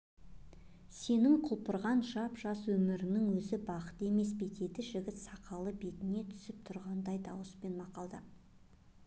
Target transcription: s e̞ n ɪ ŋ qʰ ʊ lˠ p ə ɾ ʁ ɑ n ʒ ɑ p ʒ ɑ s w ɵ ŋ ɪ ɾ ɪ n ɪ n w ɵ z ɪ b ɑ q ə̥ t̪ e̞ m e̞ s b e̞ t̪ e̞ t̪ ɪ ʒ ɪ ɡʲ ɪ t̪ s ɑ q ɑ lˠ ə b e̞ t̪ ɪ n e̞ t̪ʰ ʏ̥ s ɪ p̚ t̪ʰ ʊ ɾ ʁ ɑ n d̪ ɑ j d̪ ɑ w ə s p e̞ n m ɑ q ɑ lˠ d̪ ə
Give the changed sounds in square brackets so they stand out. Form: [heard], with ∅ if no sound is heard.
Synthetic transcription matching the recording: s e̞ n ɪ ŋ qʰ ʊ lˠ p ə ɾ ʁ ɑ n ʒ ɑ p ʒ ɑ s w ɵ [m] ɪ ɾ ɪ n ɪ [ŋ] w ɵ z ɪ b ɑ q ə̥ t̪ e̞ m e̞ s b e̞ t̪ e̞ t̪ ɪ ʒ ɪ ɡʲ ɪ t̪ s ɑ q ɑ lˠ ə b e̞ t̪ ɪ n e̞ t̪ʰ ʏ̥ s ɪ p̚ t̪ʰ ʊ ɾ ʁ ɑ n d̪ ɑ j d̪ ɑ w ə s p e̞ n m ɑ q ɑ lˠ d̪ ə